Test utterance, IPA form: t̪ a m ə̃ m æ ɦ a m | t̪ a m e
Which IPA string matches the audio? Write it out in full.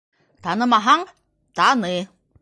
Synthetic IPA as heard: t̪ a n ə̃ m a ɦ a ŋ | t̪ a n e